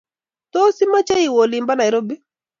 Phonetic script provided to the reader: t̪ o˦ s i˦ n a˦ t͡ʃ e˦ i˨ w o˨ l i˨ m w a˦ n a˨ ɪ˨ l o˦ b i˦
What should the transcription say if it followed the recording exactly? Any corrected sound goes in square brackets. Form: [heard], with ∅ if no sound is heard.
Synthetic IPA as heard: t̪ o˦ s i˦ [m] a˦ t͡ʃ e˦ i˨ w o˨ l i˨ m [b] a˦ n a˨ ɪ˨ [ɾ] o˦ b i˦